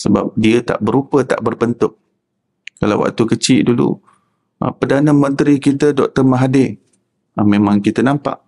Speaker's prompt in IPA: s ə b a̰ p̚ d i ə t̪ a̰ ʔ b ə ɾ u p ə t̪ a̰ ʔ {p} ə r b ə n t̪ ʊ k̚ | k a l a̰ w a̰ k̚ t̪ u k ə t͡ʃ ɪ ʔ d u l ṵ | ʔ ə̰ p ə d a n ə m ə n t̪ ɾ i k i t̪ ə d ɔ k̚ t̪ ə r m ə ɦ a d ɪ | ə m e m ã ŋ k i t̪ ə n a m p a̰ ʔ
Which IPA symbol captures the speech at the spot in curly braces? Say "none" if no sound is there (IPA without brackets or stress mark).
b